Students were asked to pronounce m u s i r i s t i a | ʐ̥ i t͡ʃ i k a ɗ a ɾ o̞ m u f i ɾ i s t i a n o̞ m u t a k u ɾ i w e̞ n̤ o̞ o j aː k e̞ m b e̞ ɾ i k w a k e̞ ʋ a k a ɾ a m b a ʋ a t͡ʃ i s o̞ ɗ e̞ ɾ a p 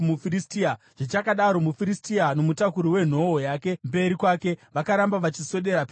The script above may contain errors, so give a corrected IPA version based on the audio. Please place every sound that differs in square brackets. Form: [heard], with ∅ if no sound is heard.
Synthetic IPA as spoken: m u [f] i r i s t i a | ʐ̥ i t͡ʃ [a] k a ɗ a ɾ o̞ m u f i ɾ i s t i a n o̞ m u t a k u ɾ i w e̞ n̤ o̞ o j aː k e̞ m b e̞ ɾ i k w a k e̞ ʋ a k a ɾ a m b a ʋ a t͡ʃ i s o̞ ɗ e̞ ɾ a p